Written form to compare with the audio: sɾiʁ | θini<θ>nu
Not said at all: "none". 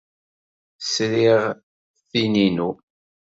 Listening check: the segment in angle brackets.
none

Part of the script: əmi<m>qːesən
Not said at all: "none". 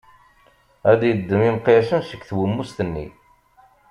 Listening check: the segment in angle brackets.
m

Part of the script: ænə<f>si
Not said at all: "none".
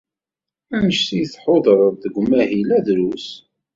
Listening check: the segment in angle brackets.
ʃ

